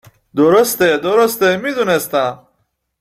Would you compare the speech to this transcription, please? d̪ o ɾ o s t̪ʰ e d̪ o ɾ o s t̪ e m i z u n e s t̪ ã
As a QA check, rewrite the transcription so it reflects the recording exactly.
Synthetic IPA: d̪ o ɾ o s t̪ e d̪ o ɾ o s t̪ e m i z u n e s t̪ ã